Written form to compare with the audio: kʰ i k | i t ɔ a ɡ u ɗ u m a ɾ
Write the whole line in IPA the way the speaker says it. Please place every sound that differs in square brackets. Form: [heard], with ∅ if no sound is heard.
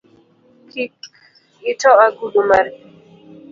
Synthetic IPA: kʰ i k | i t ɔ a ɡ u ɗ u m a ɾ

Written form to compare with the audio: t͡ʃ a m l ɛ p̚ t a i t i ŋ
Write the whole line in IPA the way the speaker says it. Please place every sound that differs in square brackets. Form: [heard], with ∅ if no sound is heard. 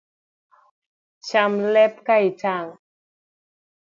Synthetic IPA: t͡ʃ a m l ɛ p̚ [k] a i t [a] ŋ

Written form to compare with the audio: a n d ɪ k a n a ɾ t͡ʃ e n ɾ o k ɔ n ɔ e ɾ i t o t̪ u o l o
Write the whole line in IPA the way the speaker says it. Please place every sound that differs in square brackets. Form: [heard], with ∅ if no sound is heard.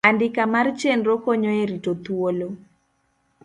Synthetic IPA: a n d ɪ k a [m] a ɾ t͡ʃ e n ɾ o k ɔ [ɲ] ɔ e ɾ i t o t̪ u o l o

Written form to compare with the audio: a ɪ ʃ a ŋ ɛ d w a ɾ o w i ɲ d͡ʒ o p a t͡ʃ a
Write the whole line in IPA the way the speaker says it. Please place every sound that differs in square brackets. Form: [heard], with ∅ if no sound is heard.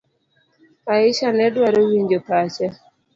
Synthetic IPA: a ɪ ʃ a [n] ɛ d w a ɾ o w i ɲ d͡ʒ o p a t͡ʃ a

